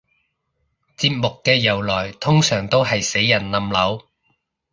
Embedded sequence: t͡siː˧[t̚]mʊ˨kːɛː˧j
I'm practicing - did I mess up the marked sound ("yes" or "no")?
yes